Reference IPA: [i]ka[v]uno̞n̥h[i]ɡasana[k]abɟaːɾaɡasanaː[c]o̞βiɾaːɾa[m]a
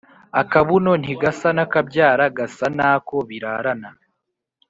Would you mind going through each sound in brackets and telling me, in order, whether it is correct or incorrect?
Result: incorrect: a, incorrect: β, correct, correct, incorrect: k, incorrect: n

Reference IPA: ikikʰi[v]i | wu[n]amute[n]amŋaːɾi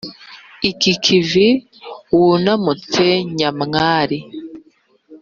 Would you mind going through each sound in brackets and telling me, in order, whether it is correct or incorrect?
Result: correct, correct, incorrect: ɲ

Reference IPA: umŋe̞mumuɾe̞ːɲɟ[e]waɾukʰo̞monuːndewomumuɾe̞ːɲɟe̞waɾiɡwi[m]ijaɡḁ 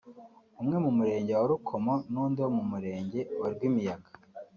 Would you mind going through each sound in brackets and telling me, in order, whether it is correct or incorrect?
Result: correct, correct

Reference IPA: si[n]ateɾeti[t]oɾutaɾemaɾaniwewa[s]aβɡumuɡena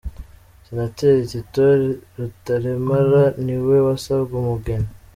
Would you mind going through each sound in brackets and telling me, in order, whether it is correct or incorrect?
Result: correct, correct, correct

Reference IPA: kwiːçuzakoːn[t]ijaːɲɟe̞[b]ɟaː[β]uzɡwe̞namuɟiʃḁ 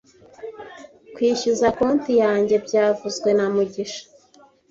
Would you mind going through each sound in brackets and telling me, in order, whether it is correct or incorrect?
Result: correct, correct, incorrect: v

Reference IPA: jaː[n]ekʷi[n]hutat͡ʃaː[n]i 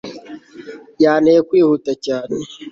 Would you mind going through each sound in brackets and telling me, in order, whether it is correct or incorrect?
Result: correct, incorrect: none, correct

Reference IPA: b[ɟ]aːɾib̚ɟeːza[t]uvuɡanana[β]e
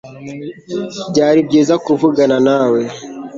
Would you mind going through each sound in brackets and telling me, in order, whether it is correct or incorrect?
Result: correct, incorrect: k, incorrect: w

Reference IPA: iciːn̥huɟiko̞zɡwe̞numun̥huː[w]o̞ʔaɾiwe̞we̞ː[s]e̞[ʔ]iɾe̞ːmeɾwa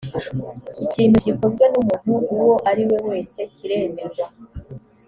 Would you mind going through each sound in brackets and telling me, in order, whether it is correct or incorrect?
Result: correct, correct, incorrect: c

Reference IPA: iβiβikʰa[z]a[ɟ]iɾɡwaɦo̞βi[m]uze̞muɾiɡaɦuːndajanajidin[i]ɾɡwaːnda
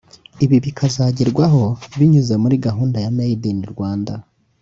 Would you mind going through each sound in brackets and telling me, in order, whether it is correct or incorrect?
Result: correct, correct, incorrect: ɲ, correct

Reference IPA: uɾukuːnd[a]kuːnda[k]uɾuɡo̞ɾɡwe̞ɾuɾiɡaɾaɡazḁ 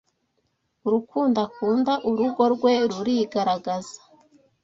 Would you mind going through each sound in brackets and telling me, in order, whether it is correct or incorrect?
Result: correct, incorrect: ʔ

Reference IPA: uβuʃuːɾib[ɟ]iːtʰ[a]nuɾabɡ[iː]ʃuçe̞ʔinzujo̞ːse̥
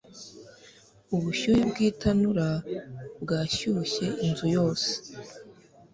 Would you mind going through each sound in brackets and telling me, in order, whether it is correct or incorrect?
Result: incorrect: ɡ, correct, incorrect: aː

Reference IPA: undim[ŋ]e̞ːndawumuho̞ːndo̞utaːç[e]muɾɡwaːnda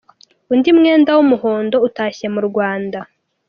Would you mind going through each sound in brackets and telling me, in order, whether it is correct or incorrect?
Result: correct, correct

